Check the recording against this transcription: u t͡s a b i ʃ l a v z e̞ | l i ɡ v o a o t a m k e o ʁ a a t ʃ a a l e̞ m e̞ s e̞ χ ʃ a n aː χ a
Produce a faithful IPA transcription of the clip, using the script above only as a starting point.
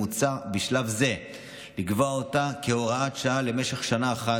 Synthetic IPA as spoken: u t͡s a b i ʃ l a v z e̞ | l i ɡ v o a o t a k e o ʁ a a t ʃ a a l e̞ m e̞ ʃ e̞ χ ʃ a n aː χ a